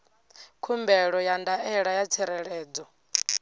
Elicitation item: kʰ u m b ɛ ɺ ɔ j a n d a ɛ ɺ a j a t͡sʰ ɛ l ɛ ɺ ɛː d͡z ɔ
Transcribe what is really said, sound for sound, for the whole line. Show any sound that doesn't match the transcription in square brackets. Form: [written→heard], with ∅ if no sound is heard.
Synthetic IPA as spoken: kʰ u m b ɛ ɺ ɔ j a n d a ɛ ɺ a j a t͡sʰ ɛ [l→ɾ] ɛ ɺ ɛː d͡z ɔ